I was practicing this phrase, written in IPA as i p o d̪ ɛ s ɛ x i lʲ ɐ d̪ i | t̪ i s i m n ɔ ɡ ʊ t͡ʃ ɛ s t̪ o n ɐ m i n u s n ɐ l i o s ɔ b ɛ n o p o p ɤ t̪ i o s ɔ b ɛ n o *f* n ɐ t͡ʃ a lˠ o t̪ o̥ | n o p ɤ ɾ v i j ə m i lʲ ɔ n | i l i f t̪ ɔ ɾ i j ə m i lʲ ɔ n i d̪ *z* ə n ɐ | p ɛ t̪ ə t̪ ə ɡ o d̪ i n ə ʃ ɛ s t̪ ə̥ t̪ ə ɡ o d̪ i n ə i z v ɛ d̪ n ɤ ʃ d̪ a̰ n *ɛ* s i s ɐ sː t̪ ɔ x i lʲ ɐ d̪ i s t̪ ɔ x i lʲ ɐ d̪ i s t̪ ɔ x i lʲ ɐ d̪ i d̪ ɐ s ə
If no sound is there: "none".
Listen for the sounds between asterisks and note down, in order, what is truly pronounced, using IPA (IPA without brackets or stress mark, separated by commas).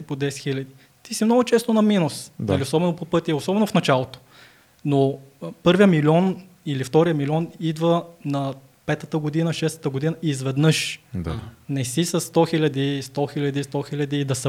f, v, ɛ